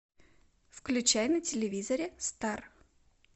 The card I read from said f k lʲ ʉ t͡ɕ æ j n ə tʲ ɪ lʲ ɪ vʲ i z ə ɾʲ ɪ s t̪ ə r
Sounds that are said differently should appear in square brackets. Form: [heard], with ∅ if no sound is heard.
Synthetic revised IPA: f k lʲ ʉ t͡ɕ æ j n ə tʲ ɪ lʲ ɪ vʲ i z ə ɾʲ ɪ s t̪ [a] r